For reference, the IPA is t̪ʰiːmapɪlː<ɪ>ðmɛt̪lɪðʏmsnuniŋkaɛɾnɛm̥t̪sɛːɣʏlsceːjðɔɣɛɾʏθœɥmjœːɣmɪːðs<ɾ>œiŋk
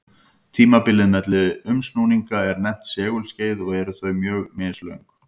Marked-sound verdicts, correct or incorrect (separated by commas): correct, incorrect